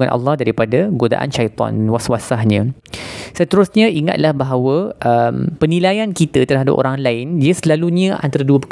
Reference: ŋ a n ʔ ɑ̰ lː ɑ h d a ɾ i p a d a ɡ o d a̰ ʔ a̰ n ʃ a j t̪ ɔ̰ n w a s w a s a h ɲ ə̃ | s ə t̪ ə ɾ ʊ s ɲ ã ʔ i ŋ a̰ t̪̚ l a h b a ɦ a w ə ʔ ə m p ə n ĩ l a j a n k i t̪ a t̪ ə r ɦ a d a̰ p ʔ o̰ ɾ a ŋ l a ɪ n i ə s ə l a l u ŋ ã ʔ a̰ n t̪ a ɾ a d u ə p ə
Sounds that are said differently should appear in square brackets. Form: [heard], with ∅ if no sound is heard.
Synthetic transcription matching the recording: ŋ a n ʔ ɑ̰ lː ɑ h d a ɾ i p a d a ɡ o d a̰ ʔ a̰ n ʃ a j t̪ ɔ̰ n w a s w a s a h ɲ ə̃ | s ə t̪ ə ɾ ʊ s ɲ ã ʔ i ŋ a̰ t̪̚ l a h b a ɦ a w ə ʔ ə m p ə n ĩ l a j a n k i t̪ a t̪ ə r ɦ a d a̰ p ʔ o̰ ɾ a ŋ l a ɪ n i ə s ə l a l u [ɲ] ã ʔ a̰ n t̪ a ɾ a d u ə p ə